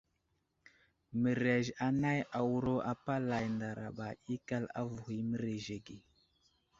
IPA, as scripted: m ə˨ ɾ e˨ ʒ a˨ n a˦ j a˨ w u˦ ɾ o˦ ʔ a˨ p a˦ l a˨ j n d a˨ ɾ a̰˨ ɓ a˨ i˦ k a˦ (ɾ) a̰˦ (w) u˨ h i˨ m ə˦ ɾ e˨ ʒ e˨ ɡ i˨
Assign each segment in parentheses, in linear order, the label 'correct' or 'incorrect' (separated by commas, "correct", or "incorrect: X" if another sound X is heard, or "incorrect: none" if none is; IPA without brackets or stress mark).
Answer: incorrect: l, incorrect: v